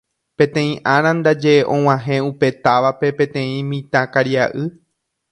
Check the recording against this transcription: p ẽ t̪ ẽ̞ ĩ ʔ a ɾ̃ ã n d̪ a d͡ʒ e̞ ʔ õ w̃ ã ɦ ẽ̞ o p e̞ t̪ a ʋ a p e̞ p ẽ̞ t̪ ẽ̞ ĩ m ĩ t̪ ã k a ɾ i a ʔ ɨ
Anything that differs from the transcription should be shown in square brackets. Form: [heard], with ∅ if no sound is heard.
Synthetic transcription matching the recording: p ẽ t̪ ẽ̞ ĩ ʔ a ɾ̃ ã n d̪ a d͡ʒ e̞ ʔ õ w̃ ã ɦ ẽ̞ [u] p e̞ t̪ a ʋ a p e̞ p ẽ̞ t̪ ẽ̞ ĩ m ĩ t̪ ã k a ɾ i a ʔ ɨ